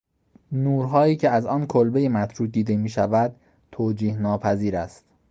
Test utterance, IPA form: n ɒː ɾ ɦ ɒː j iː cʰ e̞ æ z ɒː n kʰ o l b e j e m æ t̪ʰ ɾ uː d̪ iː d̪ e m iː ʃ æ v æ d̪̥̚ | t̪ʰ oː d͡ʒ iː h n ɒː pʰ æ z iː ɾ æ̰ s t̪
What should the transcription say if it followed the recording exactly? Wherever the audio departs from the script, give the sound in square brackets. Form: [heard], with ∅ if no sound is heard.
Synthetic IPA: n [uː] ɾ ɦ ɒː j iː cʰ e̞ æ z ɒː n kʰ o l b e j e m æ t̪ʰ ɾ uː d̪ iː d̪ e m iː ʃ æ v æ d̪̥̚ | t̪ʰ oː d͡ʒ iː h n ɒː pʰ æ z iː ɾ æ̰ s t̪